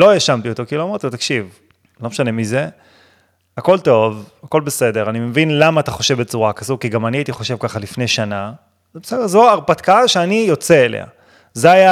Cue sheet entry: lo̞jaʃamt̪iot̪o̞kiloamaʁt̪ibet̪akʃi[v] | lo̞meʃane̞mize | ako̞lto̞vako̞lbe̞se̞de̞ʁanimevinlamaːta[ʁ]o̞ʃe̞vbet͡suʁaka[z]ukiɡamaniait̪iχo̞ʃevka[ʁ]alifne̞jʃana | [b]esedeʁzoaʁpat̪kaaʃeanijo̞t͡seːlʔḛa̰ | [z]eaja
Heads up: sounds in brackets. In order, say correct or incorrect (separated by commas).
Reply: correct, incorrect, correct, incorrect, correct, correct